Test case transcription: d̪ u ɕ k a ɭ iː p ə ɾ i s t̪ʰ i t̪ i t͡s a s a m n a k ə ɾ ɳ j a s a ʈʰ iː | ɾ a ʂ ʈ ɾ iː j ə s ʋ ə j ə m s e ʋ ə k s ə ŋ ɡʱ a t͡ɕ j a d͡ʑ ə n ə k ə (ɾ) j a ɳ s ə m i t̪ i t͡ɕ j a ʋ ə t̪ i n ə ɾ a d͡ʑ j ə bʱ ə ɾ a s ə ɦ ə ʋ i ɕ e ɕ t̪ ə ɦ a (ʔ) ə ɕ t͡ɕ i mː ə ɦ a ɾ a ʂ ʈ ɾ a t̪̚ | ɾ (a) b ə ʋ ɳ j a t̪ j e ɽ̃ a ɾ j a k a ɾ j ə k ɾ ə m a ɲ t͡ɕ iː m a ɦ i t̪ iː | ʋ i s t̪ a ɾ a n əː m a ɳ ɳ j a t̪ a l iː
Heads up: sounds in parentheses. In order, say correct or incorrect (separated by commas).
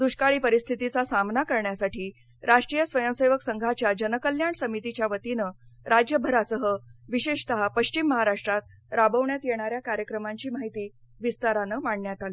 incorrect, incorrect, correct